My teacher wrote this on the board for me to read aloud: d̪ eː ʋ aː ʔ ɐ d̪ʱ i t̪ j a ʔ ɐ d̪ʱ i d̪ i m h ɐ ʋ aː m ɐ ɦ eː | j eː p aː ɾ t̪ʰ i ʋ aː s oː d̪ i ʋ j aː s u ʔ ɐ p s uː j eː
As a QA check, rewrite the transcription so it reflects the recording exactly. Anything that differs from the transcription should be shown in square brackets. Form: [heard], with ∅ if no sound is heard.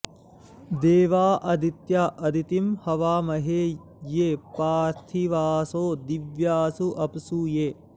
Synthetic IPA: d̪ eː ʋ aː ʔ ɐ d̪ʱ i t̪ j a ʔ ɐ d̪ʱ i [t̪] i m h ɐ ʋ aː m ɐ ɦ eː | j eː p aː ɾ t̪ʰ i ʋ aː s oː d̪ i ʋ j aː s u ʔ ɐ p s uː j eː